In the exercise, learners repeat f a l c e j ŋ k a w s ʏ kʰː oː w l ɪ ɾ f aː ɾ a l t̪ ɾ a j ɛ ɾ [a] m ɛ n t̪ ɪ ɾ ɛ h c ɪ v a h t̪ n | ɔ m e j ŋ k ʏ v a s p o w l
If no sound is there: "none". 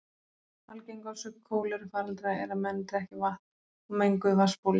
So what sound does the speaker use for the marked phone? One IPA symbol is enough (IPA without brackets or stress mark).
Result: a